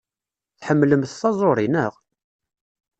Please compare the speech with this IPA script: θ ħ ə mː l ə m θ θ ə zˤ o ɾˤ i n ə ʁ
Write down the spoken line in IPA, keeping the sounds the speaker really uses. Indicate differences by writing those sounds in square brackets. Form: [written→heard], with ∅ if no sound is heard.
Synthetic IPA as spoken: θ ħ ə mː l ə m θ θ [ə→ɑ] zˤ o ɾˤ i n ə ʁ